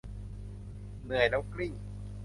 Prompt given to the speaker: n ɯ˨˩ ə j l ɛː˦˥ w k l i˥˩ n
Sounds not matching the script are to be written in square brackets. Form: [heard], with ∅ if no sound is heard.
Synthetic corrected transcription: n ɯ˨˩ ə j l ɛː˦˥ w k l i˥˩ [ŋ]